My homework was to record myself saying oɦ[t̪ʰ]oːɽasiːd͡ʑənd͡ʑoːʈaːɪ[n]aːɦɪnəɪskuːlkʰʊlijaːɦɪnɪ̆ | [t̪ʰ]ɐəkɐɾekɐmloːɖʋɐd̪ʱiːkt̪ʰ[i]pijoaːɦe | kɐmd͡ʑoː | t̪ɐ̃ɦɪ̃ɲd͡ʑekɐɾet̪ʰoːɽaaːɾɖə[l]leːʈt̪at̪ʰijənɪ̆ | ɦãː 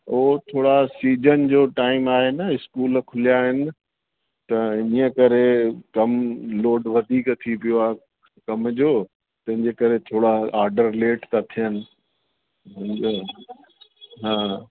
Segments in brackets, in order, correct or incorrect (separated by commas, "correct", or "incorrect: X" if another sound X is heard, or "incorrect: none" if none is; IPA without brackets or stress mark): correct, incorrect: m, incorrect: t̪, correct, incorrect: ɾ